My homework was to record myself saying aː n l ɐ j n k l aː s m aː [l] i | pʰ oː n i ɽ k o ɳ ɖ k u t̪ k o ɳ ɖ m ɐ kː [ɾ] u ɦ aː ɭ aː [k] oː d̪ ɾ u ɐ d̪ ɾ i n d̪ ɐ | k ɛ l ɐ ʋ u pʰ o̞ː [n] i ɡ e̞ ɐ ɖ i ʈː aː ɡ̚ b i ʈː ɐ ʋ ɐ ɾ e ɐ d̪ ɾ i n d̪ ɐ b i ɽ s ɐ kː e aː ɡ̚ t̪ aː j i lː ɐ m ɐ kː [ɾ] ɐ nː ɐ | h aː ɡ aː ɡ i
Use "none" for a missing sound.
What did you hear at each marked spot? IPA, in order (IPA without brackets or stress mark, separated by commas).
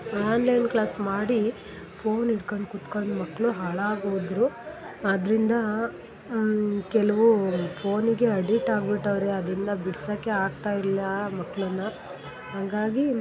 ɽ, ɭ, ɡ, n, ɭ